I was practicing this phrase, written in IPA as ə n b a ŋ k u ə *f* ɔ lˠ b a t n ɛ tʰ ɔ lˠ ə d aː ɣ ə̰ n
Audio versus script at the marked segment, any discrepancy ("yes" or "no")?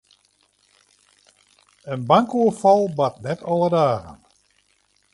no